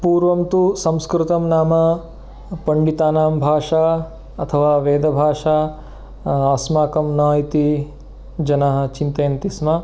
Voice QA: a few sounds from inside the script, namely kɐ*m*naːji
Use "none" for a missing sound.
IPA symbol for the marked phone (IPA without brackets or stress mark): m